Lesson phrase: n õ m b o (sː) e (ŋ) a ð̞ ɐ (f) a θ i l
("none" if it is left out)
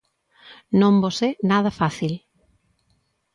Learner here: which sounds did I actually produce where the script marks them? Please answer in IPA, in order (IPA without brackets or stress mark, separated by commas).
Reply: s, n, f